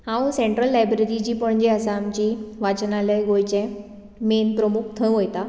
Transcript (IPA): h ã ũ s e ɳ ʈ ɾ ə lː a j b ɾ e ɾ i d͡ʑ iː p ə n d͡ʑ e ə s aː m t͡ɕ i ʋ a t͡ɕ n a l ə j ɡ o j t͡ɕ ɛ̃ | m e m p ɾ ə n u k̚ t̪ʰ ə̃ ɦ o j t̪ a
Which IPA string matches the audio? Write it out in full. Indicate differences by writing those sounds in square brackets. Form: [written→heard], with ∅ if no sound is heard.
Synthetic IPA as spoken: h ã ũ s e ɳ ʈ ɾ ə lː a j b ɾ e ɾ i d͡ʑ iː p ə [n→ɳ] d͡ʑ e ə s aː m t͡ɕ i ʋ a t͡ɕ n a l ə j ɡ o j t͡ɕ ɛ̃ | m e [m→n] p ɾ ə [n→m] u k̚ t̪ʰ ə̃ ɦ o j t̪ a